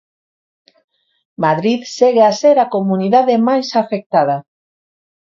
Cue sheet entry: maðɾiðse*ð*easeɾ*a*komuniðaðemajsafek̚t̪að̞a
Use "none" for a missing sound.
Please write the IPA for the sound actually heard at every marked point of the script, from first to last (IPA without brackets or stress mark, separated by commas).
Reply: ɣ, a